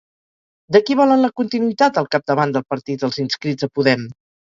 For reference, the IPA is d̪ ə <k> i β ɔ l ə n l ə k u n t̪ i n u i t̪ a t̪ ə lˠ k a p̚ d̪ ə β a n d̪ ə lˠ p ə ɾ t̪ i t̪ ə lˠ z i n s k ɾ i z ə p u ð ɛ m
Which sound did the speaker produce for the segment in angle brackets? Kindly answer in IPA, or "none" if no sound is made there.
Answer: k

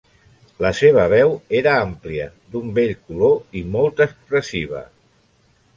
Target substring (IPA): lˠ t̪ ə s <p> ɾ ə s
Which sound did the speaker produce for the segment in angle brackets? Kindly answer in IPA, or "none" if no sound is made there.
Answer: p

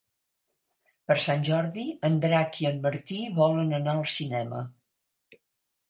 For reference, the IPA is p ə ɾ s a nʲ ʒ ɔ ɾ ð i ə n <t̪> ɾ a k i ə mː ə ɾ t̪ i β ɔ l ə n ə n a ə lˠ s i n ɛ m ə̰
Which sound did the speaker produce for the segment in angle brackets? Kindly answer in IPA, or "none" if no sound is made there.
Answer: d̪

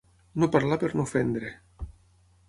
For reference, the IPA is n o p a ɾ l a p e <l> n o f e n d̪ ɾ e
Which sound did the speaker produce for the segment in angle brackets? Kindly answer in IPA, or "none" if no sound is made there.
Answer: ɾ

